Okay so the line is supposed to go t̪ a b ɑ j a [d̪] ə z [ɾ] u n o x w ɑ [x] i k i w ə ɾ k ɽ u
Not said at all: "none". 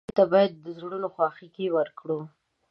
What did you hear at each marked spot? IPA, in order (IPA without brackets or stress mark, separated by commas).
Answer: d̪ː, ɽ, x